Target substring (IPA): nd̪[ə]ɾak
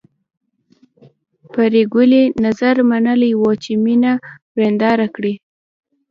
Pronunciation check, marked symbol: incorrect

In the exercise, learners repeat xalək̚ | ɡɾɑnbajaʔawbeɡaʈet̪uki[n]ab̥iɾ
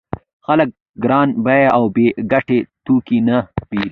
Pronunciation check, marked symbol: correct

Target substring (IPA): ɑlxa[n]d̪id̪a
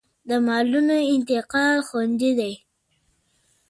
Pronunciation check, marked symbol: correct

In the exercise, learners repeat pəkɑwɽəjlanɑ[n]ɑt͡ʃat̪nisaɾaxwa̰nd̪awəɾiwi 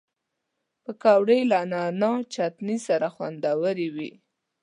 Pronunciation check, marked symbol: correct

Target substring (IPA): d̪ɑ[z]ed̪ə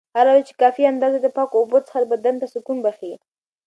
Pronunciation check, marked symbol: correct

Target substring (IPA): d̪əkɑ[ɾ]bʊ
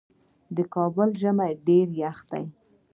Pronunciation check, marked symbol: incorrect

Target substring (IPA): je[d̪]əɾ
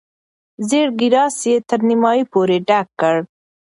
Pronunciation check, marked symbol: incorrect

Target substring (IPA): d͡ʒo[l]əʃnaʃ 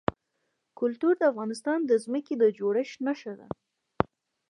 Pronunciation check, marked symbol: incorrect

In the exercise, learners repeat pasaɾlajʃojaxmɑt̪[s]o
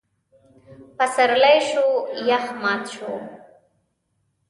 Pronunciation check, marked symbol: incorrect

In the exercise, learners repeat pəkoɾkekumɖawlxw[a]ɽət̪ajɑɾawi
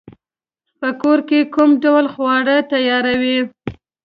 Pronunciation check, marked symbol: incorrect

